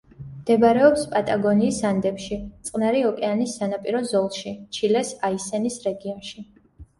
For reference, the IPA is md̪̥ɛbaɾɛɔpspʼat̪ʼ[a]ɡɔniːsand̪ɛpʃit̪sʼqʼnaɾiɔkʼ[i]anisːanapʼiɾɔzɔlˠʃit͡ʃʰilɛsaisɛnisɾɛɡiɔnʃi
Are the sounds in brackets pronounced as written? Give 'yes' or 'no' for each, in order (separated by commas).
yes, no